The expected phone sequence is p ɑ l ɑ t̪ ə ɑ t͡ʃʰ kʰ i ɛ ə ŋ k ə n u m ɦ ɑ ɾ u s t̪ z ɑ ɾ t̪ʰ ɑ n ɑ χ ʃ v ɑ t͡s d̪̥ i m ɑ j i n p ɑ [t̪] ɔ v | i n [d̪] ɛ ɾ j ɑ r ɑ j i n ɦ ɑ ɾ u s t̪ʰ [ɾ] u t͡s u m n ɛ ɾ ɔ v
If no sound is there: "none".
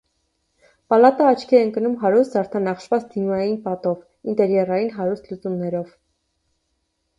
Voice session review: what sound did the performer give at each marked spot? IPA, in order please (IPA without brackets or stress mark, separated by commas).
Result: t̪, t̪, l